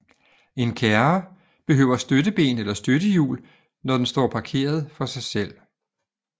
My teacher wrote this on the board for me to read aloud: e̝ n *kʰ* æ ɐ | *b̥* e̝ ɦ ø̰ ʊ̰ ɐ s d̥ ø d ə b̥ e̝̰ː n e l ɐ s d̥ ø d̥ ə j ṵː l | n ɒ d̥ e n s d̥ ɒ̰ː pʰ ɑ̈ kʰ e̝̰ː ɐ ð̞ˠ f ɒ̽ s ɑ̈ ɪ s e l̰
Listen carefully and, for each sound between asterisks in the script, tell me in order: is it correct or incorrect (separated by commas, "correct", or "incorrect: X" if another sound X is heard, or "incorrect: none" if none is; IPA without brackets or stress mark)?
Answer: correct, correct